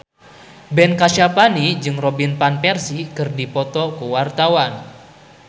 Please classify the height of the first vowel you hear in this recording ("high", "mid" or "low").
mid